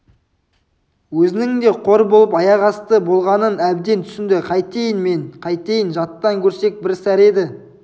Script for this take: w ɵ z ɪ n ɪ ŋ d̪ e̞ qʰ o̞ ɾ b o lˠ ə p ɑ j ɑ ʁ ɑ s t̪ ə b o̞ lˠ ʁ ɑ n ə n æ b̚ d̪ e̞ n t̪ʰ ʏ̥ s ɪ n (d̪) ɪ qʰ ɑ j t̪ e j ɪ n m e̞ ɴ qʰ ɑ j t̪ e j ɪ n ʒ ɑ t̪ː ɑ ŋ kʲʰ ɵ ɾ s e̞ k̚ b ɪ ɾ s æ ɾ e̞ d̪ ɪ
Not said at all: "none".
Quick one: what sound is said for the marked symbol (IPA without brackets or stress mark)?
d̪